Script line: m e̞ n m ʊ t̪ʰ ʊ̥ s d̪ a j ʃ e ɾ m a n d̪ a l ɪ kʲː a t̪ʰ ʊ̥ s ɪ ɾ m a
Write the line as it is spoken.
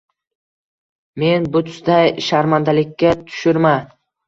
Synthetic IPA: m e̞ n b ʊ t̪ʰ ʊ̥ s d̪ a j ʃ a ɾ m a n d̪ a l ɪ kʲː a t̪ʰ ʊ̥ ʃ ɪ ɾ m a

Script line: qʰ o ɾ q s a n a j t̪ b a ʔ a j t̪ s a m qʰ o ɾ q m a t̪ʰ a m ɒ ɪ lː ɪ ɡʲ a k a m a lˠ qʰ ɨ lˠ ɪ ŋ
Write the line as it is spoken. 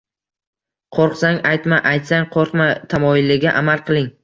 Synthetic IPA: qʰ o ɾ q s a ŋ a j t̪ m a ʔ a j t̪ s a ŋ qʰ o ɾ q m a t̪ʰ a m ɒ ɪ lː ɪ ɡʲ a ʔ a m a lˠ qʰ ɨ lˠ ɪ ŋ

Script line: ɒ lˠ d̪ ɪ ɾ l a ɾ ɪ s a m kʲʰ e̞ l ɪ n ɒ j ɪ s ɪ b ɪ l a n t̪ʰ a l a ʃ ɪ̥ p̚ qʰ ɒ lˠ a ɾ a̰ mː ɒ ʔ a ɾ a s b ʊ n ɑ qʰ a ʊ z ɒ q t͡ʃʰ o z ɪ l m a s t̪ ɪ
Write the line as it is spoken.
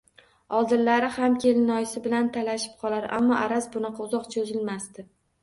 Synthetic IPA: ɒ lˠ d̪ ɪ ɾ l a ɾ ɪ h a m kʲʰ e̞ l ɪ n ɒ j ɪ s ɪ b ɪ l a n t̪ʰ a l a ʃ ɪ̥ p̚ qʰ ɒ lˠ a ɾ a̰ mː ɒ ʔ a ɾ a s b ʊ n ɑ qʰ ɑ ʊ z ɒ q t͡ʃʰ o z ɪ l m a s t̪ ɪ

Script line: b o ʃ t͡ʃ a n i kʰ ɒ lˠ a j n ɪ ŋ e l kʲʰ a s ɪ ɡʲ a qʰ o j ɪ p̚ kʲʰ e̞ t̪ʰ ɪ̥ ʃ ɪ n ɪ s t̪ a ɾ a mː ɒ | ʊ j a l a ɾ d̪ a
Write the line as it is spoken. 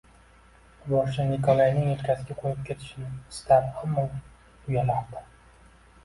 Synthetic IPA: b ɒ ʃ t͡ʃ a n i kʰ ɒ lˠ a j n ɪ ŋ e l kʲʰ a s ɪ ɡʲ a qʰ o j ɪ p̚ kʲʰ e̞ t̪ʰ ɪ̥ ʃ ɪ n ɪ s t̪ a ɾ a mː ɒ | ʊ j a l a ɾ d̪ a

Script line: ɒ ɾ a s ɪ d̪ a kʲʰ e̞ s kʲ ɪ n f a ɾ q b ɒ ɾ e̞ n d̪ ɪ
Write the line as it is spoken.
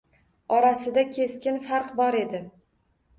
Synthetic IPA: ɒ ɾ a s ɪ d̪ a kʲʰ e̞ s kʲ ɪ n f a ɾ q b ɒ ɾ e̞ d̪ ɪ

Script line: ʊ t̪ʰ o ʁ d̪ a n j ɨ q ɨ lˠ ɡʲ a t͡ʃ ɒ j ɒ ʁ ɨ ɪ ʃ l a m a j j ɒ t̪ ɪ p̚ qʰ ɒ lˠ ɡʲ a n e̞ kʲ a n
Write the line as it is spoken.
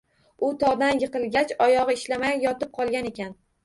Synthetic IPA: ʊ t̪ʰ ɒ ʁ d̪ a n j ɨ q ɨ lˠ ɡʲ a t͡ʃ ɒ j ɒ ʁ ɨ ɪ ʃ l a m a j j ɒ t̪ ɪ p̚ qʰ ɒ lˠ ɡʲ a n e̞ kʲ a n

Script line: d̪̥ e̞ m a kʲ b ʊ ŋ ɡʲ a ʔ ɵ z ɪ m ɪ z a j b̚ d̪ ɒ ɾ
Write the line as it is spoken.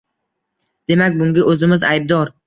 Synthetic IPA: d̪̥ e̞ m a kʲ b ʊ ŋ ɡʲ a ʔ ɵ z ɪ m ɪ z a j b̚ d̪ ɒ ɾ

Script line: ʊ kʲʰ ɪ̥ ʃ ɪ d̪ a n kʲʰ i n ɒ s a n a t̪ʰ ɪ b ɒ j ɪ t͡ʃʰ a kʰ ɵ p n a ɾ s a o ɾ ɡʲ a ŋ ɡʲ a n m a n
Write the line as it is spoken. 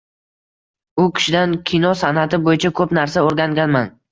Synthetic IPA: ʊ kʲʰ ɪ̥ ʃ ɪ d̪ a n kʲʰ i n ɒ s a n a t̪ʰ ɪ b o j ɪ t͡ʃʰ a kʰ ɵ p n a ɾ s a o ɾ ɡʲ a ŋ ɡʲ a n m a n

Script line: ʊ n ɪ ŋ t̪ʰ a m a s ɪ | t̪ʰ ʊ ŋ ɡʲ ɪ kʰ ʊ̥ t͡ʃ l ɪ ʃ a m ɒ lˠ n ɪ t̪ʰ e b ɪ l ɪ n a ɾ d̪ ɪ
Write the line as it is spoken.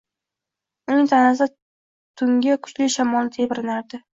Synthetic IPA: ʊ n ɪ ŋ t̪ʰ a n a s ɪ | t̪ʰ ʊ ŋ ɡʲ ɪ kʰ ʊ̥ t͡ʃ l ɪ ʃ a m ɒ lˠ n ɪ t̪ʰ e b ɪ ɾ ɪ n a ɾ d̪ ɪ

